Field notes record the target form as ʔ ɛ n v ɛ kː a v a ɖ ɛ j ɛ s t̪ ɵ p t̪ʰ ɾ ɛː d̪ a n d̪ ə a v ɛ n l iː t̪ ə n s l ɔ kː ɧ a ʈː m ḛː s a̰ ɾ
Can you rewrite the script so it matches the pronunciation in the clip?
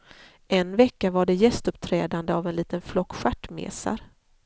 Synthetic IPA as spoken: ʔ ɛ n v ɛ kː a v a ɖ ɛ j ɛ s t̪ ɵ p t̪ʰ ɾ ɛː d̪ a n d̪ ə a v ɛ n l iː t̪ ə n f l ɔ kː ɧ a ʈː m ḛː s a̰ ɾ